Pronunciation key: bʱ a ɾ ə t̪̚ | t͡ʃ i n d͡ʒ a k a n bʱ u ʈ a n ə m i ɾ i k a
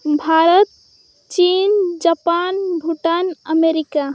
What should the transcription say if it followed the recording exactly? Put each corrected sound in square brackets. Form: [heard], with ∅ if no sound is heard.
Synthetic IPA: bʱ a ɾ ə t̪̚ | t͡ʃ i n d͡ʒ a [p] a n bʱ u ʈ a n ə m [e] ɾ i k a